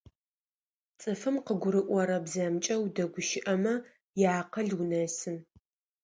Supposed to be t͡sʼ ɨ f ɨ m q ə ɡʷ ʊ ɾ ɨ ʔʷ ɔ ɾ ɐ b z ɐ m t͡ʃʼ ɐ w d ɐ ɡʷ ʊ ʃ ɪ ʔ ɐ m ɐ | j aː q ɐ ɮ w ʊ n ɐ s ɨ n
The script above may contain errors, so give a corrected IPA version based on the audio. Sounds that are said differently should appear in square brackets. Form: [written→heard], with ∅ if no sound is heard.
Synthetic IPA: t͡sʼ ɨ f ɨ m q ə ɡʷ ʊ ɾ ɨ ʔʷ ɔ ɾ ɐ b z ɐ m t͡ʃʼ ɐ w d ɐ ɡʷ ʊ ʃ ɪ ʔ ɐ m ɐ | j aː q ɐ ɮ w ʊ n ɐ s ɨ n